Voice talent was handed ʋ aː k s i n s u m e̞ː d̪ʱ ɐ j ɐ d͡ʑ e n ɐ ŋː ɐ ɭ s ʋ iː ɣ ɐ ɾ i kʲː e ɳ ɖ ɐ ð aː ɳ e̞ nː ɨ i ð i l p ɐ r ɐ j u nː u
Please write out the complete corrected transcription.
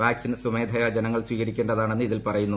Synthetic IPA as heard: ʋ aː k s i n s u m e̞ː d̪ʱ ɐ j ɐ d͡ʑ e n ɐ ŋː ɐ ɭ s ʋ iː ɣ ɐ ɾ i kʲː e ɳ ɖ ɐ ð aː ɳ e̞ nː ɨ i ð i l p ɐ r ɐ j u nː u